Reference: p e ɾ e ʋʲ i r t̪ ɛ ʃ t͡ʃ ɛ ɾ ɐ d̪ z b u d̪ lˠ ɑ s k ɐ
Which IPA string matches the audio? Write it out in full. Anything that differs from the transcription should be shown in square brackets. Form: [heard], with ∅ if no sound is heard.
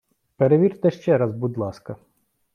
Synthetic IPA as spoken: p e ɾ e ʋʲ i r t̪ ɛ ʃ t͡ʃ ɛ ɾ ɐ [∅] z b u d̪ lˠ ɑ s k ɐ